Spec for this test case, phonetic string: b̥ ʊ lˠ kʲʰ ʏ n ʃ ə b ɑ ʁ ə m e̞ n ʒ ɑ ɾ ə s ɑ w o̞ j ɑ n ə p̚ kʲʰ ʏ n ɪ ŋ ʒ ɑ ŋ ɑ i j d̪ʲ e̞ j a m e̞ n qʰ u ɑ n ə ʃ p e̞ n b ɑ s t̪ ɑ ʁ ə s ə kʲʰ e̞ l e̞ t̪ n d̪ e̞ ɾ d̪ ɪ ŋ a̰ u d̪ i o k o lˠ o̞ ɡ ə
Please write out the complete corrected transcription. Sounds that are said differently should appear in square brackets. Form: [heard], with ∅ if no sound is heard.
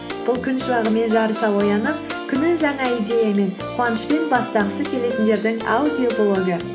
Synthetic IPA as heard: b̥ ʊ lˠ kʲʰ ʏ n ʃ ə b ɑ ʁ ə m e̞ n ʒ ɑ ɾ ə s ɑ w o̞ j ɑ n ə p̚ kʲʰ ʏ n ɪ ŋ ʒ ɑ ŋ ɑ i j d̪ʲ e̞ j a m e̞ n qʰ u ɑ n ə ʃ p e̞ n b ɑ s t̪ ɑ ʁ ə s ə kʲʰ e̞ l e̞ t̪ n d̪ e̞ ɾ d̪ ɪ ŋ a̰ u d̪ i o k o lˠ o̞ ɡ ə